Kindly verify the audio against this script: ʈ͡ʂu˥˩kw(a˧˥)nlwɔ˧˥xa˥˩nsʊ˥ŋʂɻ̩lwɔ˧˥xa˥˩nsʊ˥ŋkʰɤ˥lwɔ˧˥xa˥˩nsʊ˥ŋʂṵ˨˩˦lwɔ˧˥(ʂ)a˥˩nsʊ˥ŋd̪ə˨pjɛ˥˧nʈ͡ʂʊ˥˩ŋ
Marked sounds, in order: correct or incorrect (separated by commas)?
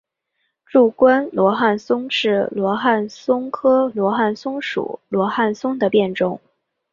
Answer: incorrect, incorrect